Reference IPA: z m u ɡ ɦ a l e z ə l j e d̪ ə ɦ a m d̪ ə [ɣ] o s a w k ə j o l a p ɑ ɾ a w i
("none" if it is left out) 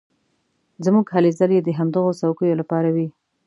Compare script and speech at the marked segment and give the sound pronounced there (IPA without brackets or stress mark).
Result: ɣ